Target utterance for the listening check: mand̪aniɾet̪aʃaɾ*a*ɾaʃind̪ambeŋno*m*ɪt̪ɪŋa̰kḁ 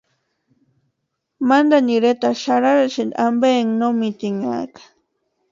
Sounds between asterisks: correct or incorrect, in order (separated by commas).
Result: correct, correct